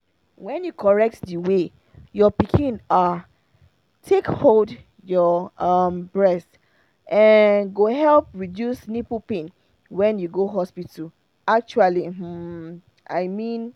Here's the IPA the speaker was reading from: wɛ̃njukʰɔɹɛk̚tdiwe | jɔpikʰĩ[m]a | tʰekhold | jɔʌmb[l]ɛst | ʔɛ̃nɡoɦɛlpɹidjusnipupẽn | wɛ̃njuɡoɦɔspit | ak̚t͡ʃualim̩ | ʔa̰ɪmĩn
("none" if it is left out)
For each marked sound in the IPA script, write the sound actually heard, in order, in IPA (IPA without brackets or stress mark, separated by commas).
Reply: n, ɹ